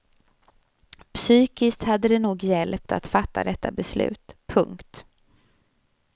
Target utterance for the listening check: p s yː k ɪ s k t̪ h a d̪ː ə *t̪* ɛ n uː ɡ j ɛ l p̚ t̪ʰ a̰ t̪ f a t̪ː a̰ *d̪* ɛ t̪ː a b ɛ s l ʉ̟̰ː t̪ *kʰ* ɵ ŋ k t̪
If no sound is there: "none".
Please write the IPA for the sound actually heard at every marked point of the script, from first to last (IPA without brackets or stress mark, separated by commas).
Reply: d̪, d̪, pʰ